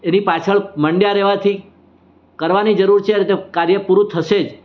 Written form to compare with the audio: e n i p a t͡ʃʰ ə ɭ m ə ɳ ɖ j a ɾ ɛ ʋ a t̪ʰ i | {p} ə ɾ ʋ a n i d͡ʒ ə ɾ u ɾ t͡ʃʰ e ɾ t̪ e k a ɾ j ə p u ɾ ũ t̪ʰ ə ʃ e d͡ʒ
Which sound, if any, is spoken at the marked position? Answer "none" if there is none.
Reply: k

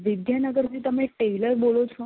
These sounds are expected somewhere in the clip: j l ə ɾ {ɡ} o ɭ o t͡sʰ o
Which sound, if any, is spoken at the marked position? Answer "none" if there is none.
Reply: b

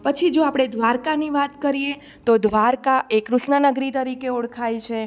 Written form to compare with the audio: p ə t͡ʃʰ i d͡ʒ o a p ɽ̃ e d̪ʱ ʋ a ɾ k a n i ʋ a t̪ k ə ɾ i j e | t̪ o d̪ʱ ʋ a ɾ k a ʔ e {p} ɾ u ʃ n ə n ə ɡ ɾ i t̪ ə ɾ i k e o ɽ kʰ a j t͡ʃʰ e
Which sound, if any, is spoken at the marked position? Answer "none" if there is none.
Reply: k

